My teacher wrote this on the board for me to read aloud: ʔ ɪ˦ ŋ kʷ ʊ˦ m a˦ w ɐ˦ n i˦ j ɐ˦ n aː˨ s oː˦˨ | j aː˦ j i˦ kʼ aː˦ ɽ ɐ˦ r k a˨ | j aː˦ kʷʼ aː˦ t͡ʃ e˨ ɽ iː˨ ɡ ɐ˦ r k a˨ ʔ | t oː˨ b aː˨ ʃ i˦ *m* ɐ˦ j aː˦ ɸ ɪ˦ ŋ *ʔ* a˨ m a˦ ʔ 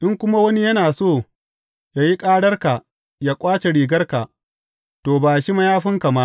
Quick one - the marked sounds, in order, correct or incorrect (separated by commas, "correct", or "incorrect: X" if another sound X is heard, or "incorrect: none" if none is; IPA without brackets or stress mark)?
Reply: correct, incorrect: k